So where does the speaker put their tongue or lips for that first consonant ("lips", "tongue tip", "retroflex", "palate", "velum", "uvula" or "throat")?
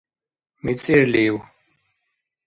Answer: lips